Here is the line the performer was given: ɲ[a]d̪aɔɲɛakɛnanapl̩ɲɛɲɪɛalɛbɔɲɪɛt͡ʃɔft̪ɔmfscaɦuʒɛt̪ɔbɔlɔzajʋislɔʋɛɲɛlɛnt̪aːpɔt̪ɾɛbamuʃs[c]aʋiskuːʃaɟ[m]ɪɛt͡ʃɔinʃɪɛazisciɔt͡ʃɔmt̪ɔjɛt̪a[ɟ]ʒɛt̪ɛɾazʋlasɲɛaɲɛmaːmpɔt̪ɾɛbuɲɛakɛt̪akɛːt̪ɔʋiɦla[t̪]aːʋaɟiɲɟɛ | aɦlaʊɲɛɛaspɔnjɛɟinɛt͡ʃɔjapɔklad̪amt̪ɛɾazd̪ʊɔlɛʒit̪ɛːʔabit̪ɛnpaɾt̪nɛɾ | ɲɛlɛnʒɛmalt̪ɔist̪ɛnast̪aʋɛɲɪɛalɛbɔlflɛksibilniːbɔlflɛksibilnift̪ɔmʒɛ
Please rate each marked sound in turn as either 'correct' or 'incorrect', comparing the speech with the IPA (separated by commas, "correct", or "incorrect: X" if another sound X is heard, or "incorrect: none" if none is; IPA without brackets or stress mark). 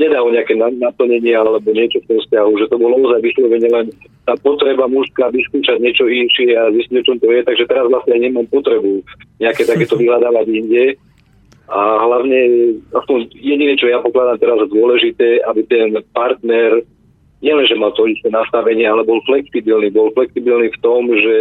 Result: incorrect: ɛ, incorrect: k, incorrect: ɲ, incorrect: ɡ, incorrect: d̪